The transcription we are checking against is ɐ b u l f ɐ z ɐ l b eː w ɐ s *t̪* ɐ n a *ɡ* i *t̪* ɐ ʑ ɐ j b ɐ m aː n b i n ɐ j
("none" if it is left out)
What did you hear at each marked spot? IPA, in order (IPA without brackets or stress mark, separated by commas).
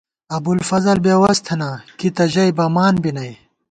t̪ʰ, k, t̪